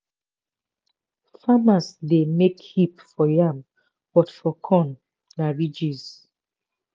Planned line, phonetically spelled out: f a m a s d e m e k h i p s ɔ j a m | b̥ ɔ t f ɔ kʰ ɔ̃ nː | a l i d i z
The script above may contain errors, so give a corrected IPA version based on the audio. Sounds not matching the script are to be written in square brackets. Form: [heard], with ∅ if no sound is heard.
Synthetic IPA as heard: f a m a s d e m e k h i p [f] ɔ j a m | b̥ ɔ t f ɔ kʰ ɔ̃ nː | a [ɹ] i [d͡ʒ] i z